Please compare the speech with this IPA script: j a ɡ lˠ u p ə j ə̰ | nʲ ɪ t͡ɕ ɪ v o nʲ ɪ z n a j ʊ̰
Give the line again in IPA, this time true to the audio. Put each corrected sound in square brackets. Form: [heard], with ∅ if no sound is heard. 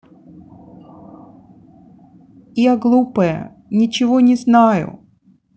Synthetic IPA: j a ɡ lˠ u p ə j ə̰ | nʲ ɪ t͡ɕ ɪ v o nʲ ɪ z n a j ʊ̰